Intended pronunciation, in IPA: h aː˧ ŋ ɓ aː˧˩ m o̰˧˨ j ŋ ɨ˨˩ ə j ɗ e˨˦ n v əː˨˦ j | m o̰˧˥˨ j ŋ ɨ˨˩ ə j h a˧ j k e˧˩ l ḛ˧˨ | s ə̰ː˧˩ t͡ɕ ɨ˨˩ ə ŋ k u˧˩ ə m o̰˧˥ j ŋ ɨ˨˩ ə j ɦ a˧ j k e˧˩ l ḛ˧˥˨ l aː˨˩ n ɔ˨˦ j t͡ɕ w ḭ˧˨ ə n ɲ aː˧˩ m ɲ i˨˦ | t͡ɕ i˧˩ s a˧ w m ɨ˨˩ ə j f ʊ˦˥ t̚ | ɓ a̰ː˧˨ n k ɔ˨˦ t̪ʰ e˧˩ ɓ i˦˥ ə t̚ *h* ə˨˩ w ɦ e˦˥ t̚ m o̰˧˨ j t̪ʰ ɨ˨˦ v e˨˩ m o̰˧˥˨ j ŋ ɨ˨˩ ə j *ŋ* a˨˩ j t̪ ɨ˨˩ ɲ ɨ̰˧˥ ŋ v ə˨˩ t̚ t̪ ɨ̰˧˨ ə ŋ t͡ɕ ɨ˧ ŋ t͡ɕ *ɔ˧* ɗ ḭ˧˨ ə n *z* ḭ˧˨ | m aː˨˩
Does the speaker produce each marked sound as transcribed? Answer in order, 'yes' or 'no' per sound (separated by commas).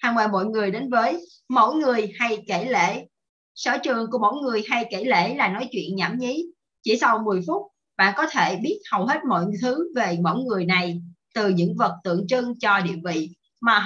yes, no, yes, no